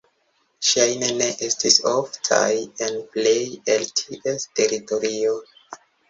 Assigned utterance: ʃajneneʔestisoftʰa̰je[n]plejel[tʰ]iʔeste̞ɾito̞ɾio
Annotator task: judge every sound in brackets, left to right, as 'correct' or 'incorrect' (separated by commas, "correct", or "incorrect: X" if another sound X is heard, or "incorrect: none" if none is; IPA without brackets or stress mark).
correct, correct